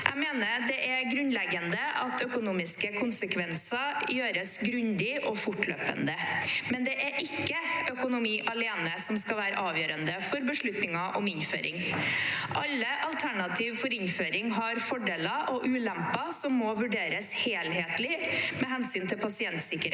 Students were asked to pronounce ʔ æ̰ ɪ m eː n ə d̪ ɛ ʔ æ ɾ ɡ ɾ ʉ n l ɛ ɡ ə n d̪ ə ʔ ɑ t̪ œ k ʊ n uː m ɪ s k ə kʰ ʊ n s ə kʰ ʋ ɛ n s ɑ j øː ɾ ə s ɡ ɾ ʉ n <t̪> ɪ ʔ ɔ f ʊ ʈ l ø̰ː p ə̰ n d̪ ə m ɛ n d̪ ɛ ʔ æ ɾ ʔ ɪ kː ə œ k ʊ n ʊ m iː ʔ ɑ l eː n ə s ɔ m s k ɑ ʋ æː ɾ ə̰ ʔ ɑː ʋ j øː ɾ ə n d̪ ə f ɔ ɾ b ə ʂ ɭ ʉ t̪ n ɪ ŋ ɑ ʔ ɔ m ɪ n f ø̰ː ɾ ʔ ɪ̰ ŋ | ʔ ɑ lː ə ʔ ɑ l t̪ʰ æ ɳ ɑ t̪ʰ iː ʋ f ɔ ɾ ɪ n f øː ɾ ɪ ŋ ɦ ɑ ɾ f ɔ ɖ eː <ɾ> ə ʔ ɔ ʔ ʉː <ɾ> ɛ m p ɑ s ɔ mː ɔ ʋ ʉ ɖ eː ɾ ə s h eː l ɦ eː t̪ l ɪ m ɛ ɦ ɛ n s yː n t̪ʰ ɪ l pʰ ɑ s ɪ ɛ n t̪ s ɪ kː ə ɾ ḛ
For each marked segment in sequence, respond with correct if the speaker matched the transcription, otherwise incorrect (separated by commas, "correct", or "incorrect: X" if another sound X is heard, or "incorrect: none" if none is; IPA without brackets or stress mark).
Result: incorrect: d̪, incorrect: l, incorrect: l